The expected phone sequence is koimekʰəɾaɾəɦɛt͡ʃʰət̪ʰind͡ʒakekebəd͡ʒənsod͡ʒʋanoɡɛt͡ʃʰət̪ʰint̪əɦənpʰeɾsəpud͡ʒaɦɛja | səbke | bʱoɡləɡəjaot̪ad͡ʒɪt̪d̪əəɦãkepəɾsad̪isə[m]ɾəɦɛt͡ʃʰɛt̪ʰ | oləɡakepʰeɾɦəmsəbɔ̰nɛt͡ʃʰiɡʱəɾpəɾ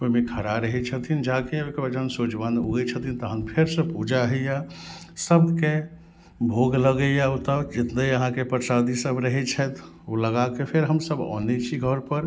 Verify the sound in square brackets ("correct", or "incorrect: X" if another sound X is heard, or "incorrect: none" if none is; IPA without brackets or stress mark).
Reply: incorrect: b